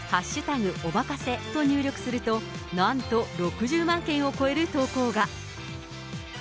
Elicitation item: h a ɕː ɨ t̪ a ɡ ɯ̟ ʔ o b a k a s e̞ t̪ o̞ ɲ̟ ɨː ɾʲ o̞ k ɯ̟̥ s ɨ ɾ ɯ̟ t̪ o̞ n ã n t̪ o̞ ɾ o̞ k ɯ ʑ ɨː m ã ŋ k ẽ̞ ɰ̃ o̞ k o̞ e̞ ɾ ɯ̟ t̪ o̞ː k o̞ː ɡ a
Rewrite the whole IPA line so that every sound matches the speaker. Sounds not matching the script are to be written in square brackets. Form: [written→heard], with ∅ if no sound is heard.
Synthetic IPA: h a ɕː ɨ t̪ a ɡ ɯ̟ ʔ o b a k a s e̞ t̪ o̞ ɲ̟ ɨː ɾʲ o̞ k ɯ̟̥ s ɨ ɾ ɯ̟ t̪ o̞ n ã n t̪ o̞ ɾ o̞ k ɯ ʑ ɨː m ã ŋ k ẽ̞ ɰ̃ o̞ k o̞ e̞ ɾ ɯ̟ t̪ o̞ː k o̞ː ɡ a